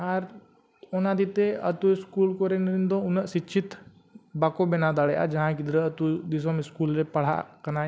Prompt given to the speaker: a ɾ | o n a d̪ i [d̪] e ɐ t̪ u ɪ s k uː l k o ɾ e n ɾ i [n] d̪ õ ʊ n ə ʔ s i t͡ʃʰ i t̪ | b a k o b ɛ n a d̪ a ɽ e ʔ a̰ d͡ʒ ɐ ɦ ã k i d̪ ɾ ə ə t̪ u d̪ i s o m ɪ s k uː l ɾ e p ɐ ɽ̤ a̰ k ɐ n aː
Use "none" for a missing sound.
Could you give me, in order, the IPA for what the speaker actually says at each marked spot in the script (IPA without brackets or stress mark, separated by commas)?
t̪, n